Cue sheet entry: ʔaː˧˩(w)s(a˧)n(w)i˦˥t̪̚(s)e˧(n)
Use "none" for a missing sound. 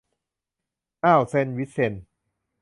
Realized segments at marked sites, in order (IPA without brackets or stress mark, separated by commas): w, e˧, w, s, n